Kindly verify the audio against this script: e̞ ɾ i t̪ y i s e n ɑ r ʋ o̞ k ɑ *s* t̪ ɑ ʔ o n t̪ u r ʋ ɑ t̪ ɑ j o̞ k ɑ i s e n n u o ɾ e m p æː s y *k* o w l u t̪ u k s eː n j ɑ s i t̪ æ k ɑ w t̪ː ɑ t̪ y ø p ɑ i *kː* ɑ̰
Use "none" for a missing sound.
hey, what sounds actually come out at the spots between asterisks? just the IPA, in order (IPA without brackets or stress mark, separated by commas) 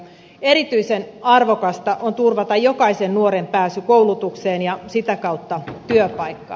s, k, kː